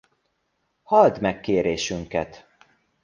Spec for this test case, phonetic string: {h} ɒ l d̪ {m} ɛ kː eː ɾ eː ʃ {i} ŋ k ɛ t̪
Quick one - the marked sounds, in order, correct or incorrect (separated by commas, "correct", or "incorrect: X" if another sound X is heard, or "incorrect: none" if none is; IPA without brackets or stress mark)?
correct, correct, incorrect: y